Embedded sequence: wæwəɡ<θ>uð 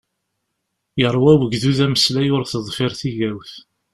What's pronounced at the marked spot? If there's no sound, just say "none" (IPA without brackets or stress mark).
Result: ð